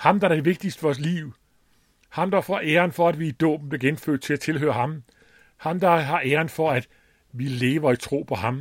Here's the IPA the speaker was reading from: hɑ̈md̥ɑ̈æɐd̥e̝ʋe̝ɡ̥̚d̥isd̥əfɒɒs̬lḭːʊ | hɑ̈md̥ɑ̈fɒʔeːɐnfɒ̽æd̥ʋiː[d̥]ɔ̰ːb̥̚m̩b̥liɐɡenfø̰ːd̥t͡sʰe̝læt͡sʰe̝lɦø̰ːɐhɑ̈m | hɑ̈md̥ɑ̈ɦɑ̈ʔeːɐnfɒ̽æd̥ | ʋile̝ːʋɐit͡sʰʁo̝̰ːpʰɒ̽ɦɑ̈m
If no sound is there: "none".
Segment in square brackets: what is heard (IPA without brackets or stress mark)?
d̥